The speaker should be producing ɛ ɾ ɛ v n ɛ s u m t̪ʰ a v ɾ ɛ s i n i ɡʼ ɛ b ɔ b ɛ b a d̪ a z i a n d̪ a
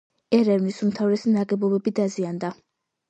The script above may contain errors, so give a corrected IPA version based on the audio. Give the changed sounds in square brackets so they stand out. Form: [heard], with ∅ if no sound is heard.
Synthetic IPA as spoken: ɛ ɾ ɛ v n [i] s u m t̪ʰ a v ɾ ɛ s i n [a] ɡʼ ɛ b ɔ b ɛ b [i] d̪ a z i a n d̪ a